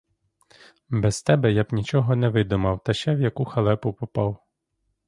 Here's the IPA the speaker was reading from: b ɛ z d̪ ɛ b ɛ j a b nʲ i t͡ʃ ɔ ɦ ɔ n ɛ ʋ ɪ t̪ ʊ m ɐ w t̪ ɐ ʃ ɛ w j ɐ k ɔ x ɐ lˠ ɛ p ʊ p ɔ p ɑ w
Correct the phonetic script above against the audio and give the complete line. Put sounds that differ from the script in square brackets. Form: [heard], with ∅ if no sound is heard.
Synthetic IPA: b ɛ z [t̪] ɛ b ɛ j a b nʲ i t͡ʃ ɔ ɦ ɔ n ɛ ʋ ɪ [d̪] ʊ m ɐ w t̪ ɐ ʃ ɛ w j ɐ k [u] x ɐ lˠ ɛ p ʊ p ɔ p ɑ w